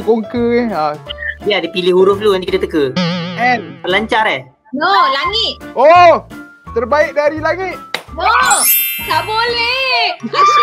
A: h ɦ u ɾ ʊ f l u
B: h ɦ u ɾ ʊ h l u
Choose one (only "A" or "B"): A